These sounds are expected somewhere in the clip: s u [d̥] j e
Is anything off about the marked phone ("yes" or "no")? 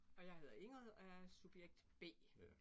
yes